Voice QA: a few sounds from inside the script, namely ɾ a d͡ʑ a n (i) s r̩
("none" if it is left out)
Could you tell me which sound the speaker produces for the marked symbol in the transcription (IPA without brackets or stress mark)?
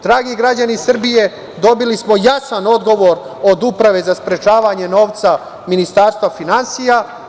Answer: i